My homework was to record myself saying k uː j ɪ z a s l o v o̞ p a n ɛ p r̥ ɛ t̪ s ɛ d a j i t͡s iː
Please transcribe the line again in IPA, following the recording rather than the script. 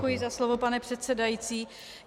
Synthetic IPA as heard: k u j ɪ z a s l o v o̞ p a n ɛ p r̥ ɛ t̪ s ɛ d a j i t͡s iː